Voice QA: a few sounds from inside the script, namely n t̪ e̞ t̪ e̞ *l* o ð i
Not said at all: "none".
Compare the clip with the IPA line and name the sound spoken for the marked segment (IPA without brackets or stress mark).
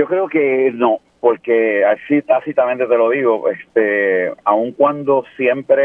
l